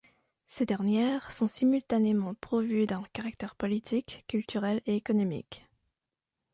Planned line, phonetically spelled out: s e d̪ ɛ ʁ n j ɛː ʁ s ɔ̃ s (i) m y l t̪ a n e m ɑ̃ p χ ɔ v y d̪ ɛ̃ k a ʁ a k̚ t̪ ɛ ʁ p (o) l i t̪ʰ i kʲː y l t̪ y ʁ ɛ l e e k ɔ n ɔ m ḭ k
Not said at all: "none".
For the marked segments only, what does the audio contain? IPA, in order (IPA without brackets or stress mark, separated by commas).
i, ɔ